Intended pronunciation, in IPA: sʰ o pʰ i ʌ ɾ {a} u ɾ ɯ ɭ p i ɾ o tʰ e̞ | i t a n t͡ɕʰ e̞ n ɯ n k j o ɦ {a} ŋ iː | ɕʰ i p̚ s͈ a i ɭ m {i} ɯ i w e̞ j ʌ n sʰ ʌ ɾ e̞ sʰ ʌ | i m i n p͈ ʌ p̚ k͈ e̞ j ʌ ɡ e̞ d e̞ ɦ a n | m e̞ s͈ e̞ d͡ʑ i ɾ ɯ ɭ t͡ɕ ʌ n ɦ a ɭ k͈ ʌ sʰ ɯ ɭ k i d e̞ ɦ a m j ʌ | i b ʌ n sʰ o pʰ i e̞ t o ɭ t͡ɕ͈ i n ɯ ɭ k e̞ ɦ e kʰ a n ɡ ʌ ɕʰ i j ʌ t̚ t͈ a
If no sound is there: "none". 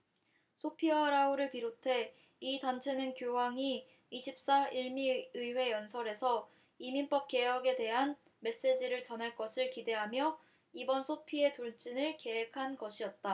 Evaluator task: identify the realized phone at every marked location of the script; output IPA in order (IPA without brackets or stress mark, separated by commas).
a, a, i